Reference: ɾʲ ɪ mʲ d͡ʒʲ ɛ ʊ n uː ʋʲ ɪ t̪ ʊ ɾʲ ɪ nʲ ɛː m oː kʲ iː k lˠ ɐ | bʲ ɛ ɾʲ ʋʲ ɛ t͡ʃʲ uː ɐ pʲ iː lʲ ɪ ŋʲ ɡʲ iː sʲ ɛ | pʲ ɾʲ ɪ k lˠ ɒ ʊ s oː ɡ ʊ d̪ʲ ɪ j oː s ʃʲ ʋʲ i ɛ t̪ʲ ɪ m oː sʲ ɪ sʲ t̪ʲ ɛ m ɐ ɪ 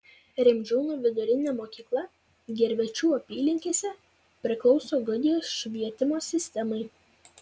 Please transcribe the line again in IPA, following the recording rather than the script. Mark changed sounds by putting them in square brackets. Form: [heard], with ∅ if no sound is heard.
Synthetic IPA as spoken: ɾʲ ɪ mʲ d͡ʒʲ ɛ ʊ n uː ʋʲ ɪ [d̪] ʊ ɾʲ ɪ nʲ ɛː m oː kʲ iː k lˠ ɐ | [ɡʲ] ɛ ɾʲ ʋʲ ɛ t͡ʃʲ uː ɐ pʲ iː lʲ ɪ ŋʲ [kʲ] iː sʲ ɛ | pʲ ɾʲ ɪ k lˠ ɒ ʊ s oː ɡ ʊ d̪ʲ ɪ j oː s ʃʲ ʋʲ i ɛ t̪ʲ ɪ m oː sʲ ɪ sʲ t̪ʲ ɛ m ɐ ɪ